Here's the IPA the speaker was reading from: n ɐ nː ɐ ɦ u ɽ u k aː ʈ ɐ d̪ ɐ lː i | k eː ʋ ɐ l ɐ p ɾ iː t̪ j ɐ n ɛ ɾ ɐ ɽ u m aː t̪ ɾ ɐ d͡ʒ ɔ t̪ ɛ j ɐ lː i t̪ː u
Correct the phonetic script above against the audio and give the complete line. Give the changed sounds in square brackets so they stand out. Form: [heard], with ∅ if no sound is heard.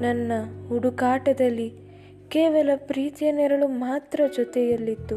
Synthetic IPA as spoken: n ɐ nː ɐ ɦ u ɽ u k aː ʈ ɐ d̪ ɐ lː i | k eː ʋ ɐ l ɐ p ɾ iː t̪ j ɐ n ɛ ɾ ɐ [ɭ] u m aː t̪ ɾ ɐ d͡ʒ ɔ t̪ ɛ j ɐ lː i t̪ː u